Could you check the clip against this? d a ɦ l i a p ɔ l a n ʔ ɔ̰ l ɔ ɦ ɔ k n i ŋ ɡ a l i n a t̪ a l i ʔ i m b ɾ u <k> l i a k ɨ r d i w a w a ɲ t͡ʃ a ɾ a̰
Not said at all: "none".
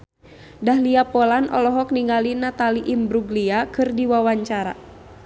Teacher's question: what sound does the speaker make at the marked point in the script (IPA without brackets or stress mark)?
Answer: ɡ